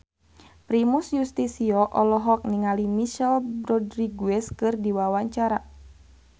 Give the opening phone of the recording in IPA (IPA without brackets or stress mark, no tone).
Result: p